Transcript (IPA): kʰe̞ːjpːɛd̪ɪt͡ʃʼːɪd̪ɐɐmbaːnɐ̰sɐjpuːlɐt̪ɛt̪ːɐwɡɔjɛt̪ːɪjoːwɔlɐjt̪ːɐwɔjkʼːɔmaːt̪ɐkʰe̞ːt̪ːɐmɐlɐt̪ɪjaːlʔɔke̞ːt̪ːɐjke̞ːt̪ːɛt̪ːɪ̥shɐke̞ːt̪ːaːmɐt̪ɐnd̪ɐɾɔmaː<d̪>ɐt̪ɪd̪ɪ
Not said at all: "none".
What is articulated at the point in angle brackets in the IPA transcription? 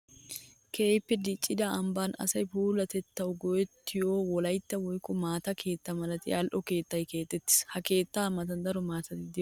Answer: t̪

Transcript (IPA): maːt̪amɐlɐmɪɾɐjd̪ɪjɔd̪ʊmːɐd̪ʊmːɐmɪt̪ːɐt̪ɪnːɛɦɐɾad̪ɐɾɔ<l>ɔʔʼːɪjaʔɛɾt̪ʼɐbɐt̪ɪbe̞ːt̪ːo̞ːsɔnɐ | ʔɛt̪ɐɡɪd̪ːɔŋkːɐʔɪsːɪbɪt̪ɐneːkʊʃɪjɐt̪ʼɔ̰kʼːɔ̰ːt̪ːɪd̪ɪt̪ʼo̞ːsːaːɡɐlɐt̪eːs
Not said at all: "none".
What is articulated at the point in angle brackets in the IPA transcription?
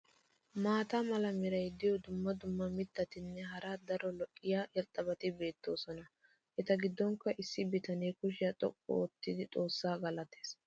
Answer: l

